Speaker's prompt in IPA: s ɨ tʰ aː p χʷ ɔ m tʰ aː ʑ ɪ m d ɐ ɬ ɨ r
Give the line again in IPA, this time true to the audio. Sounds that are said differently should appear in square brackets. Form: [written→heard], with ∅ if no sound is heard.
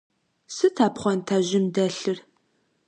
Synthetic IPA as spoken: s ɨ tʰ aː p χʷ ɔ [m→n] tʰ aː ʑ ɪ m d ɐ ɬ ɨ r

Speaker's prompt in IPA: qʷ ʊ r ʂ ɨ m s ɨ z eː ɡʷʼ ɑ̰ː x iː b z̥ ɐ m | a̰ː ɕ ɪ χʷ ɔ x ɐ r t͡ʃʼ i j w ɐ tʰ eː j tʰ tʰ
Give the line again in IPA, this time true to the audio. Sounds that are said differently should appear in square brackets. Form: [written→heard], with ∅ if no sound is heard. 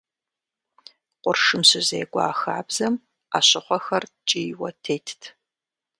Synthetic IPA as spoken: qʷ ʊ r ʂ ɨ m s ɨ z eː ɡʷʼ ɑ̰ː x [iː→aː] b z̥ ɐ m | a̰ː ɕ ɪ χʷ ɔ x ɐ r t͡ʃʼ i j w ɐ tʰ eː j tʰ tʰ

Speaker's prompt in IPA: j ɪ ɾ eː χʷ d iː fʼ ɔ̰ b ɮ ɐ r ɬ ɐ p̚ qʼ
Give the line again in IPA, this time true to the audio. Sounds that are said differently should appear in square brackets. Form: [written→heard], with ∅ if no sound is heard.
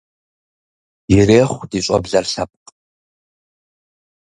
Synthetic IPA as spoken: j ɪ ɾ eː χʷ d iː [fʼ→ɕʼ] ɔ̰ b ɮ ɐ r ɬ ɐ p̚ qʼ

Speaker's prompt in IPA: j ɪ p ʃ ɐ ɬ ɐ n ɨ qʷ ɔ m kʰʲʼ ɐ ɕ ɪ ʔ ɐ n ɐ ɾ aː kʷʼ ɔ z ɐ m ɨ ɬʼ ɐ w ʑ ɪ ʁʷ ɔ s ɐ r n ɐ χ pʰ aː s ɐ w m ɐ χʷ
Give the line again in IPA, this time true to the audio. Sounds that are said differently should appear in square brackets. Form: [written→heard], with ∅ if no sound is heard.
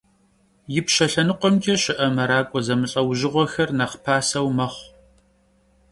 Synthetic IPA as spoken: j ɪ p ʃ ɐ ɬ ɐ n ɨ qʷ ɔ m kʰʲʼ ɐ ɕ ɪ ʔ ɐ [n→m] ɐ ɾ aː kʷʼ ɔ z ɐ m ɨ ɬʼ ɐ w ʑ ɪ ʁʷ ɔ [s→x] ɐ r n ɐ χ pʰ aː s ɐ w m ɐ χʷ

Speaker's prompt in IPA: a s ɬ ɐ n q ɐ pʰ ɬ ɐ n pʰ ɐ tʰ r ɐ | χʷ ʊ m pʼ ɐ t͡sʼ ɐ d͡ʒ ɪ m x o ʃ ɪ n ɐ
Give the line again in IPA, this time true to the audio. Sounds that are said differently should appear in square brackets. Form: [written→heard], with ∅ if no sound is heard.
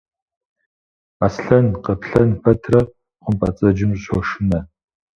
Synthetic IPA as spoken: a s ɬ ɐ n q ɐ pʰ ɬ ɐ n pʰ ɐ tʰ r ɐ | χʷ ʊ m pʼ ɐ t͡sʼ ɐ d͡ʒ ɪ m [x→ɕ] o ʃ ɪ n ɐ

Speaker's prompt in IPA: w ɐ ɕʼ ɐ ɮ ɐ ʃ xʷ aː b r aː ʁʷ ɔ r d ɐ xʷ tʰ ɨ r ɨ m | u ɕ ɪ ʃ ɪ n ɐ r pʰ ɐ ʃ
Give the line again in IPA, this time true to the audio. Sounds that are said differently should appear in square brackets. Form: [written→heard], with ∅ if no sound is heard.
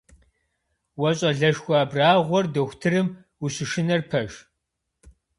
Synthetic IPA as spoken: w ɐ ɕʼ ɐ ɮ ɐ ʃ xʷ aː b r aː ʁʷ ɔ r d ɐ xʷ tʰ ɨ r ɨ m | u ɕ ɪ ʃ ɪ n ɐ r pʰ ɐ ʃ

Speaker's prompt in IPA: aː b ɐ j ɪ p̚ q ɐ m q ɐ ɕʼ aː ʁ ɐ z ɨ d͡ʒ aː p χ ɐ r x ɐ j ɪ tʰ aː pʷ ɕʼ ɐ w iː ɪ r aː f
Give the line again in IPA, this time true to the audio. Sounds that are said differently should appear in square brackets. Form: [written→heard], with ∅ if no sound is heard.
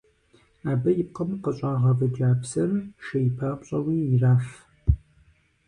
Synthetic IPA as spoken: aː b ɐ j ɪ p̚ q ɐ m q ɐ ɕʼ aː ʁ ɐ [z→v] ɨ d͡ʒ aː p [χ→s] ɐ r [x→ʃ] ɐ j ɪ [tʰ→pʰ] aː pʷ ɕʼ ɐ w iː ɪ r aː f

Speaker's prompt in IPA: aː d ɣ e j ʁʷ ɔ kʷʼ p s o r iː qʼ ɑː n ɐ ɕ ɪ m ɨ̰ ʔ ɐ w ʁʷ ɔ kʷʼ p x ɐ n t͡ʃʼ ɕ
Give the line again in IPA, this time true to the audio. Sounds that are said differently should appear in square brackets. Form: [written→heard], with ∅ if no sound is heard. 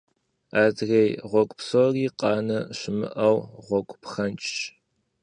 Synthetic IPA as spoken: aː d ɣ e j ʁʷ ɔ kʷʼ p s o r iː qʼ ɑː n ɐ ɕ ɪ m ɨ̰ ʔ ɐ w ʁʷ ɔ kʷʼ p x ɐ n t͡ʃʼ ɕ

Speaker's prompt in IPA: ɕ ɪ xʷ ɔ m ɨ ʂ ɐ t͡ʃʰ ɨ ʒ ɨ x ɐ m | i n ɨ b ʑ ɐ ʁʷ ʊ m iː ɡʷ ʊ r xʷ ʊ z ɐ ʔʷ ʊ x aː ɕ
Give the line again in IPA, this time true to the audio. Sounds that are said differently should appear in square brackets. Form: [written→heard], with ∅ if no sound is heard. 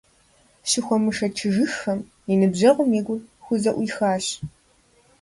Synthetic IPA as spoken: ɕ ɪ xʷ ɔ m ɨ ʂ ɐ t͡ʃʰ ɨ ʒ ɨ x ɐ m | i n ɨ b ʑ ɐ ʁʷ ʊ m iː ɡʷ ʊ r xʷ ʊ z ɐ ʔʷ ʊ x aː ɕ

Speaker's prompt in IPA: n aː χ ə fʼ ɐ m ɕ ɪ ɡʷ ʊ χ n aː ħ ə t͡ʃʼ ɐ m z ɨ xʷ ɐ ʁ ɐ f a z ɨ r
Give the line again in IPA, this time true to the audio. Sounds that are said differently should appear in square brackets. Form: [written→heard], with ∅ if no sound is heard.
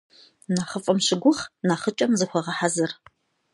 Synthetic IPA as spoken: n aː χ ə fʼ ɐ m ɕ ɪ ɡʷ ʊ χ n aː [ħ→χ] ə t͡ʃʼ ɐ m z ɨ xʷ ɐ ʁ ɐ [f→ħ] a z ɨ r

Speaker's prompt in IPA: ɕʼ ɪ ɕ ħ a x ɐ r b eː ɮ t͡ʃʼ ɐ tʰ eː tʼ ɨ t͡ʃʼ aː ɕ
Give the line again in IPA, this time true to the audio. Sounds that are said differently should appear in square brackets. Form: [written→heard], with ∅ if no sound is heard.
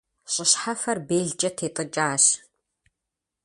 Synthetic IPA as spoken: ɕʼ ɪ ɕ ħ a [x→f] ɐ r b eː ɮ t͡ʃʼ ɐ tʰ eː tʼ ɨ t͡ʃʼ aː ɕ

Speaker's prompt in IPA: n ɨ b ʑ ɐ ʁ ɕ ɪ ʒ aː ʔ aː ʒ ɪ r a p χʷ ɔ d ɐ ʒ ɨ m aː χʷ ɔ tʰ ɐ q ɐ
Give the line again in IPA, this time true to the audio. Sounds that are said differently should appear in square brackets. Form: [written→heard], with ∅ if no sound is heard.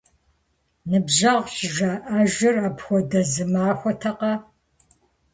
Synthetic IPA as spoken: n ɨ b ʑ ɐ ʁ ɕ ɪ ʒ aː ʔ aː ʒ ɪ r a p [χʷ→xʷ] ɔ d ɐ [ʒ→z] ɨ m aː [χʷ→xʷ] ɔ tʰ ɐ q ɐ

